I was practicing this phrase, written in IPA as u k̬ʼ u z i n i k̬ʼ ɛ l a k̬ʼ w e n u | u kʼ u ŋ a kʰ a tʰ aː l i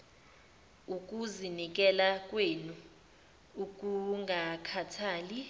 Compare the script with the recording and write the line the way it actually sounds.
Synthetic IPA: u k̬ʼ u z i n i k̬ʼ ɛ l a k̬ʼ w e n u | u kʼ u ŋ a kʰ a tʰ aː l i